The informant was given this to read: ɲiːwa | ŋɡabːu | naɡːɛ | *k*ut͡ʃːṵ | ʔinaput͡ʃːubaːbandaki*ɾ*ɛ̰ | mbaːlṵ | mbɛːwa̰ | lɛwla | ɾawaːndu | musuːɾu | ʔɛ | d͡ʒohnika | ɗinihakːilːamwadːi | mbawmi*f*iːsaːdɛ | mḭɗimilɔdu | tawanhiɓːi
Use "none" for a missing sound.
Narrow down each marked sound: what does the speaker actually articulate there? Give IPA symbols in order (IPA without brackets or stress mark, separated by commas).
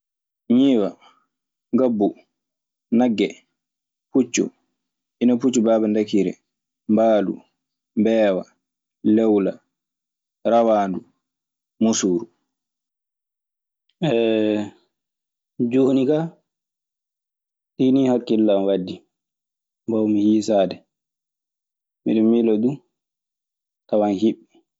p, ɾ, h